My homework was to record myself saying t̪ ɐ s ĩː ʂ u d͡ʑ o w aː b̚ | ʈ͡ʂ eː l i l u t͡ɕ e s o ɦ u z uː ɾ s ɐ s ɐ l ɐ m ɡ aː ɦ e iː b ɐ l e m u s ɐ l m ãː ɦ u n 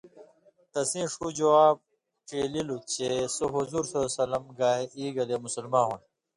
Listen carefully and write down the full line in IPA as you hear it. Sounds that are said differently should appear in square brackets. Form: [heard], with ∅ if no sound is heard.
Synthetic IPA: t̪ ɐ s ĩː ʂ u d͡ʑ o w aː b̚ | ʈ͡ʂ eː l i l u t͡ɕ e s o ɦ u z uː ɾ s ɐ s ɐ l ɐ m ɡ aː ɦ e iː [ɡ] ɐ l e m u s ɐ l m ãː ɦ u n